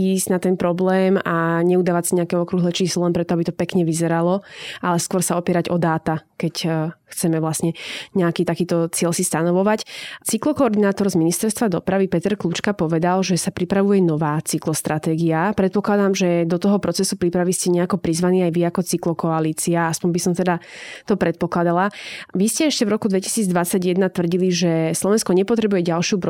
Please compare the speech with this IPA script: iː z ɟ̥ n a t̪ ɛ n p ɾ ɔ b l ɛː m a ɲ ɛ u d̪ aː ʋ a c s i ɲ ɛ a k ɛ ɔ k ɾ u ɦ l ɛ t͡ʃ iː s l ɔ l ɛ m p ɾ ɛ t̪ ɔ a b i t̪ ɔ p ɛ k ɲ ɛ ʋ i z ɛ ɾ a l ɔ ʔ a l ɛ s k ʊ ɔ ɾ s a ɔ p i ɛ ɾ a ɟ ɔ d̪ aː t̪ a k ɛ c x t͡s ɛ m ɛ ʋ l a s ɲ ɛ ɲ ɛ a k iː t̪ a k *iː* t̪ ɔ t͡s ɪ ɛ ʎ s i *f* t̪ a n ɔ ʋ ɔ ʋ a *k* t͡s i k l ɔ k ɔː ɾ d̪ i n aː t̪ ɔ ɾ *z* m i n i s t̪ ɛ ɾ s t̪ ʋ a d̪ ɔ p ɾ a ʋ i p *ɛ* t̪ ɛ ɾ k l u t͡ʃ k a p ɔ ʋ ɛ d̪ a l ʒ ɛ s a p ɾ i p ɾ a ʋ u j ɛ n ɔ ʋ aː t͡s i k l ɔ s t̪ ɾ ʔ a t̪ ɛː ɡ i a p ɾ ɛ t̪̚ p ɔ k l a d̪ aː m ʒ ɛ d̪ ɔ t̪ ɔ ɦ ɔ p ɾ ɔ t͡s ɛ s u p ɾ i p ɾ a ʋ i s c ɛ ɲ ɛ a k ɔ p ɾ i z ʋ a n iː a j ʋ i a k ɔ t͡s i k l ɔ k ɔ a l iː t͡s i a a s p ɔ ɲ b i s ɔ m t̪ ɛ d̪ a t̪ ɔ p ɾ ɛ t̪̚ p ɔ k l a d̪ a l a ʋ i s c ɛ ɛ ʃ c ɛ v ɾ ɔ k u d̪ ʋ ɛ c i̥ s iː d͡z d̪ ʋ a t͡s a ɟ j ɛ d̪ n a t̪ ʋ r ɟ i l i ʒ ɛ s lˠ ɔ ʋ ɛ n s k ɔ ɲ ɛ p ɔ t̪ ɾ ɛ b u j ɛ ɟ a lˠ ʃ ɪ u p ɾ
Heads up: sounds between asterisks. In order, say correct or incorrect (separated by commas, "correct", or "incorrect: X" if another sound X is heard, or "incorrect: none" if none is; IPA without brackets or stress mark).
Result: correct, incorrect: s, incorrect: c, correct, correct